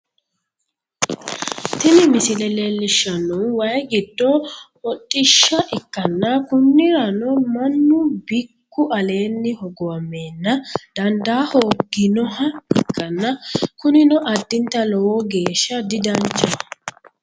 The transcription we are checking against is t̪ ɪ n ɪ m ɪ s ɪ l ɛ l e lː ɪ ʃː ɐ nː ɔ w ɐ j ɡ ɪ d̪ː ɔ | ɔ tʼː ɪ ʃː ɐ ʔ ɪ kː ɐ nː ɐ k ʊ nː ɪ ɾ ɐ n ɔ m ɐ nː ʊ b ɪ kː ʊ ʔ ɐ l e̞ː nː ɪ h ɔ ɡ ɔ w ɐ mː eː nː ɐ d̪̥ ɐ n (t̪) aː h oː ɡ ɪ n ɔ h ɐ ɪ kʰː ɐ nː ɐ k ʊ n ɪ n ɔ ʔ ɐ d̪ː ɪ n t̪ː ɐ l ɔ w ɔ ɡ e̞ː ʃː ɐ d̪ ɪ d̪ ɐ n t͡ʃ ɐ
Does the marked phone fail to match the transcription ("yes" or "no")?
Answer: yes